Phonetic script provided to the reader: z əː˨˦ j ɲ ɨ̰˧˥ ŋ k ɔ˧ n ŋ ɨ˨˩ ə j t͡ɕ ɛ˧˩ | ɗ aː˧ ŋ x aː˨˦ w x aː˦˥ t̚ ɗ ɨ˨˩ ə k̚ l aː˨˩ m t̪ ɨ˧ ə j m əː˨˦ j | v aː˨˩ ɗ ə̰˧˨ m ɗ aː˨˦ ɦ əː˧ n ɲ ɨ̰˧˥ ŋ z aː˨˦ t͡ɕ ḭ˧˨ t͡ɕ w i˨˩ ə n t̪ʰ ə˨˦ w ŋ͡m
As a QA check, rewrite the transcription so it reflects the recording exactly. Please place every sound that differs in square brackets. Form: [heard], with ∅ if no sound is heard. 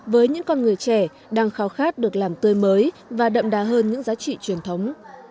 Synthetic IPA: [v] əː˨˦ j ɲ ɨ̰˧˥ ŋ k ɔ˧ n ŋ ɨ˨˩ ə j t͡ɕ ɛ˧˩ | ɗ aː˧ ŋ x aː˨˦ w x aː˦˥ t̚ ɗ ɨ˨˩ ə k̚ l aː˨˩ m t̪ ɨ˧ ə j m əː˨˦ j | v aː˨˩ ɗ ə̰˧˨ m ɗ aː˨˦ ɦ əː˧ n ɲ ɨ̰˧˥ ŋ z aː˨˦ t͡ɕ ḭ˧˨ t͡ɕ w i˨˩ ə n t̪ʰ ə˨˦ w ŋ͡m